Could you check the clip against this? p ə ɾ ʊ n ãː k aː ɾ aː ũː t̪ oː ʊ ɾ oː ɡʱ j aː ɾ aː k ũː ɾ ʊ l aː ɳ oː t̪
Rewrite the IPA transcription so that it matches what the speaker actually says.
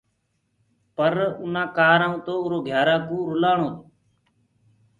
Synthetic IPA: p ə ɾ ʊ n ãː k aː ɾ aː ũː t̪ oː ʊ ɾ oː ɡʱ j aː ɾ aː k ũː ɾ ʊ l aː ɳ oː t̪